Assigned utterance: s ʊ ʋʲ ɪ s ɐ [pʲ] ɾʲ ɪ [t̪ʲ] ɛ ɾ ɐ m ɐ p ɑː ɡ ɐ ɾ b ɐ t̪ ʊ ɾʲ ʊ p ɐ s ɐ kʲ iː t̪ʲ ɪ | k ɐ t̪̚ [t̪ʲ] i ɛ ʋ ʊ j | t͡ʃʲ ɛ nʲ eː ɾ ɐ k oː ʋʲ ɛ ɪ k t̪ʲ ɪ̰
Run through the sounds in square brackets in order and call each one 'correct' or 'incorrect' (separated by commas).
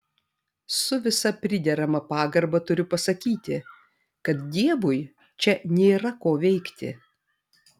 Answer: correct, incorrect, incorrect